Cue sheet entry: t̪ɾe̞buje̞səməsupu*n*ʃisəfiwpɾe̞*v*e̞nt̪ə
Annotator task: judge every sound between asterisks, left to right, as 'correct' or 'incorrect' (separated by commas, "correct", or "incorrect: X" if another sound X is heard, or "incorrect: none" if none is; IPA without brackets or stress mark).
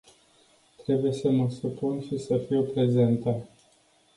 correct, incorrect: z